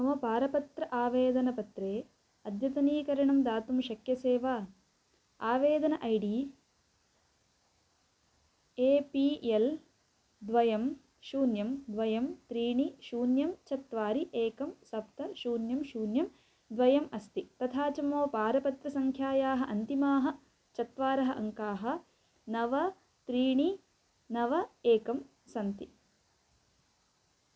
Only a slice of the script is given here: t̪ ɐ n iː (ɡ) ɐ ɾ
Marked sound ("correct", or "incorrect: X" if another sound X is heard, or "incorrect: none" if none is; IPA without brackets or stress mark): incorrect: k